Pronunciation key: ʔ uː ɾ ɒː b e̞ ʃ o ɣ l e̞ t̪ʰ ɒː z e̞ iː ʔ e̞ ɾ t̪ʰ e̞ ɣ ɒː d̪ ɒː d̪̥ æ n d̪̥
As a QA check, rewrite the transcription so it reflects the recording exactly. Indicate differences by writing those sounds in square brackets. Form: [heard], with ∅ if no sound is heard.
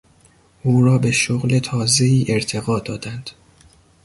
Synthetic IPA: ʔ uː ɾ ɒː b e̞ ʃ o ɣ l e̞ t̪ʰ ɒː z e̞ iː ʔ e̞ ɾ t̪ʰ e̞ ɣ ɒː d̪ ɒː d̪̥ æ n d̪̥